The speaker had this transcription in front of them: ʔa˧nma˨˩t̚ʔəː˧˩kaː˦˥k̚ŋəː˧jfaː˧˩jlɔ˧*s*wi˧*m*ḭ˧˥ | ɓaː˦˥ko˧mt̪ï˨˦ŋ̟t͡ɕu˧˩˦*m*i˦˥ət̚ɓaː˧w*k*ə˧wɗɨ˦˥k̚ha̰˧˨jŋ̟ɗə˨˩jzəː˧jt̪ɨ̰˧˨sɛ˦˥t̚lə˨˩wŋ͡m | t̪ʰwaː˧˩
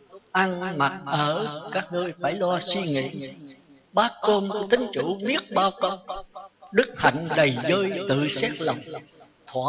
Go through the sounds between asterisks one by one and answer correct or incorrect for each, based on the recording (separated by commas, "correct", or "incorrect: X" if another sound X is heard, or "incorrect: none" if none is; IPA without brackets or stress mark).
correct, incorrect: ŋ, correct, correct